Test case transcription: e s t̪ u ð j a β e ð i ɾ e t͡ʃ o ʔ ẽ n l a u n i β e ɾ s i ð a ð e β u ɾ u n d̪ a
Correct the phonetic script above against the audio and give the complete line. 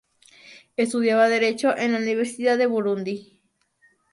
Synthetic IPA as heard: e s t̪ u ð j a β a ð e ɾ e t͡ʃ o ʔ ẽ n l a u n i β e ɾ s i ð a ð e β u ɾ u n d̪ i